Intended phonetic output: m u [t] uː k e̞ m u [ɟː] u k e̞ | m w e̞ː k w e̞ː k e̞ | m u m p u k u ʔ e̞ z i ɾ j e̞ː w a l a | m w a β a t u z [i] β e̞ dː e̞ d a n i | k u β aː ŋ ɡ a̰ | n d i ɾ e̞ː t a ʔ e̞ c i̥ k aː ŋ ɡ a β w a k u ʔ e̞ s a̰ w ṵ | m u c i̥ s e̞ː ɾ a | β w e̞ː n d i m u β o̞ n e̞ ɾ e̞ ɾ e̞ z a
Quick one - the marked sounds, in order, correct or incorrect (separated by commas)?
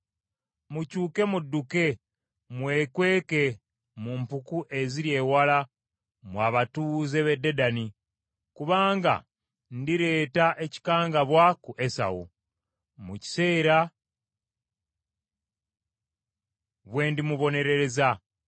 incorrect, incorrect, incorrect